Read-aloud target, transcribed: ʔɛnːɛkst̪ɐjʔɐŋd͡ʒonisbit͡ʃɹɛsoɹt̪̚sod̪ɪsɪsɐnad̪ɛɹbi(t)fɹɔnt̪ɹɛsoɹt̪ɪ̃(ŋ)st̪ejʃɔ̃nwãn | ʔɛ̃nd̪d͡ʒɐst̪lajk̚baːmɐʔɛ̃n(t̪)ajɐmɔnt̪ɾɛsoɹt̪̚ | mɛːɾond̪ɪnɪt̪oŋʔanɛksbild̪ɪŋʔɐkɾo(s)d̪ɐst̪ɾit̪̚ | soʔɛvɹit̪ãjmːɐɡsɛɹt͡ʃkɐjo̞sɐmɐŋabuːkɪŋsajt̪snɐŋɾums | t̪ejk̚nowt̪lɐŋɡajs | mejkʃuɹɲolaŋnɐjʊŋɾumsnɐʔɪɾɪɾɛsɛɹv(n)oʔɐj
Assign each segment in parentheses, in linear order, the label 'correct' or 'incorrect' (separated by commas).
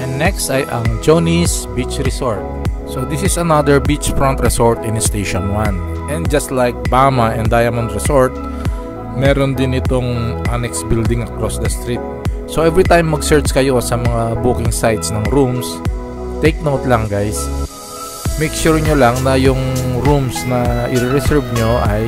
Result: incorrect, incorrect, incorrect, correct, incorrect